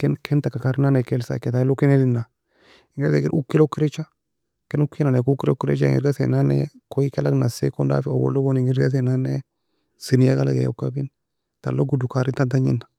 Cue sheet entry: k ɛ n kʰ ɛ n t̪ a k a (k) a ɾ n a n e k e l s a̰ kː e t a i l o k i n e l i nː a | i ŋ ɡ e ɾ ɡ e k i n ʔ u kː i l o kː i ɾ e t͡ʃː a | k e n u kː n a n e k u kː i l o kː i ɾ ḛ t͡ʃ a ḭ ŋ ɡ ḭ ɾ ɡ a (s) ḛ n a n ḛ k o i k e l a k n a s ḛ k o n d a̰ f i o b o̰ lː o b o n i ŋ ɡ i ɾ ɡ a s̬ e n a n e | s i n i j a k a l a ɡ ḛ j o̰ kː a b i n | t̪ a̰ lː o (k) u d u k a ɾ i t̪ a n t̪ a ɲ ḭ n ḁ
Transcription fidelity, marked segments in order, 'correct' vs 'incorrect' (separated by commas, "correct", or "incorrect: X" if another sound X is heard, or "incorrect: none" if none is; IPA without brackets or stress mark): correct, correct, incorrect: ɡ